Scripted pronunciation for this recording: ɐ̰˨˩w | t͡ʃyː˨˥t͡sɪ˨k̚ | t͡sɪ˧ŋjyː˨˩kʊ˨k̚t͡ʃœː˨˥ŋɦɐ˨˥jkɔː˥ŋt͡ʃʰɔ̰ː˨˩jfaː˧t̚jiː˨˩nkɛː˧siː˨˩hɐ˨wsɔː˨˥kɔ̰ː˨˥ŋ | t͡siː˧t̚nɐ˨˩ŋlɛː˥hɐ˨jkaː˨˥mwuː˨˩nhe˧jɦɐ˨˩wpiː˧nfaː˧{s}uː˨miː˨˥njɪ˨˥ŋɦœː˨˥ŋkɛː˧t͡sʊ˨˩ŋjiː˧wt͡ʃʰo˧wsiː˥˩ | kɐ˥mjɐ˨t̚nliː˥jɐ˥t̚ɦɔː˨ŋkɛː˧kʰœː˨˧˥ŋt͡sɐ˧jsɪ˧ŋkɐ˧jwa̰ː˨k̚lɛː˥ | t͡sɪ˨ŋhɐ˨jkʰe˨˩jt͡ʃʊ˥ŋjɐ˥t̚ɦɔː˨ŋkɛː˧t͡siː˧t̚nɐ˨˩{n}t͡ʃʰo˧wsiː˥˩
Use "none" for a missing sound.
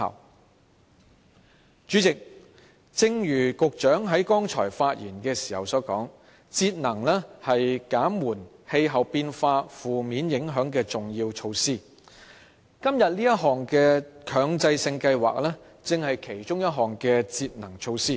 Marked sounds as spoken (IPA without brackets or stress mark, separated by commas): f, ŋ